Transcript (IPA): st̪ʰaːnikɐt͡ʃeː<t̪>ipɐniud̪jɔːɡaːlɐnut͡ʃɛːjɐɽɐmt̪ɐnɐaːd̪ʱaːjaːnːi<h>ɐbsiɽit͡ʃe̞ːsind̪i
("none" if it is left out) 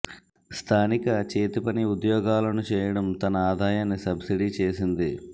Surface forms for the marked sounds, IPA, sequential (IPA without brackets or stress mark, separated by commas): t̪, s